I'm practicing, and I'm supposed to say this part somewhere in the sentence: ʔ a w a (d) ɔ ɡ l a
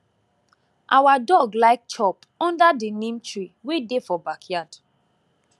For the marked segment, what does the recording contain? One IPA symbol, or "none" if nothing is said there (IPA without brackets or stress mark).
d